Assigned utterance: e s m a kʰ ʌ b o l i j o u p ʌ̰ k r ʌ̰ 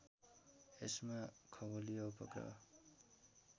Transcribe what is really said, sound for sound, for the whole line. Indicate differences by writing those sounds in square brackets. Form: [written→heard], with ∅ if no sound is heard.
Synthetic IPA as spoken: e s m a kʰ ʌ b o l i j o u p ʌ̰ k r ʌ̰